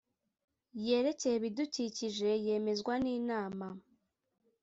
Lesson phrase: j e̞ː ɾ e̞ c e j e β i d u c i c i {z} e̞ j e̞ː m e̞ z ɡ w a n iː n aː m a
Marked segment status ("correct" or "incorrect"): incorrect